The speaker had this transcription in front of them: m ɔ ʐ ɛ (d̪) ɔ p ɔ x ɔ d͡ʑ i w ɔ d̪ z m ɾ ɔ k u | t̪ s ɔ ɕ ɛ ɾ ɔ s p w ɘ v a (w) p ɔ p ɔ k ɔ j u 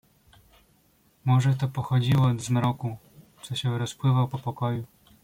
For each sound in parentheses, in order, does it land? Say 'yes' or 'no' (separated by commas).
no, yes